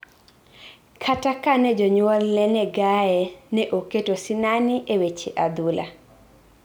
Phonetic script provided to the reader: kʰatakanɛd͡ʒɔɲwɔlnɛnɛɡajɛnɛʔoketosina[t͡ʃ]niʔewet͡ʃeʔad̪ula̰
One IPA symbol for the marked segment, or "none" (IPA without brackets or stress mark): none